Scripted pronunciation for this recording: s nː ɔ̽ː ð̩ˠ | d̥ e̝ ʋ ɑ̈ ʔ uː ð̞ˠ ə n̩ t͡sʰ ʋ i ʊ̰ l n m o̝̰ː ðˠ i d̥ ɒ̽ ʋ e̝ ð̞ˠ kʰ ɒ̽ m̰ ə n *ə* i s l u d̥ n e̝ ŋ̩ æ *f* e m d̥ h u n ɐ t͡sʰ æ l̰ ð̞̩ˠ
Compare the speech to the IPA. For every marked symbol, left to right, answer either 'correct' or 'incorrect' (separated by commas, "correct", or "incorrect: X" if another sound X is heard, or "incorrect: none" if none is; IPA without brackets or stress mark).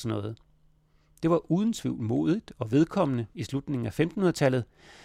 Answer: correct, correct